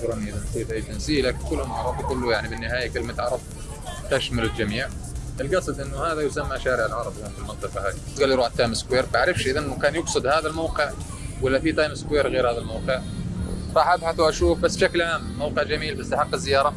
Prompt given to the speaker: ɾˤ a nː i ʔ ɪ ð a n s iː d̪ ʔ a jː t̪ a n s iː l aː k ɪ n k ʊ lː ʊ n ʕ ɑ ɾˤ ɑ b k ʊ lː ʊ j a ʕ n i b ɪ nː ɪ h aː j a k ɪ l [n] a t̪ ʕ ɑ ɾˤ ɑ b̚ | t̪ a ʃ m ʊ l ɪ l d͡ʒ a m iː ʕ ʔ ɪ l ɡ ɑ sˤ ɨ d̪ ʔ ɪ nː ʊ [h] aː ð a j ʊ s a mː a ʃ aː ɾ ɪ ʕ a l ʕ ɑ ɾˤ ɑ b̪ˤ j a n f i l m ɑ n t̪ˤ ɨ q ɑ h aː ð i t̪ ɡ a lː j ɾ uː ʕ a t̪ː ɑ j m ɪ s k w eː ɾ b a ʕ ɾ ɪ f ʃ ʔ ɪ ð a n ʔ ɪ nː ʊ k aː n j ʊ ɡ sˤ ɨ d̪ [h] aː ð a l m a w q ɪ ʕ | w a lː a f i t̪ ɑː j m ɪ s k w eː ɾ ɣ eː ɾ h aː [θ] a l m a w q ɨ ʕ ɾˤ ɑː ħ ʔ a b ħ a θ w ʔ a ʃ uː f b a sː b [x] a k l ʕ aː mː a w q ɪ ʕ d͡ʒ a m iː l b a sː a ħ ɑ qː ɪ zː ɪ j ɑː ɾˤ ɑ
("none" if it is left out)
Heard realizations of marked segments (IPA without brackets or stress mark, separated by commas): m, h, h, ð, ʃ